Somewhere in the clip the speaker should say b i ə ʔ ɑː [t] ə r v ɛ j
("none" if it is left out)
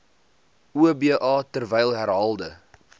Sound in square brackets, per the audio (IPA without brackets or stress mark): t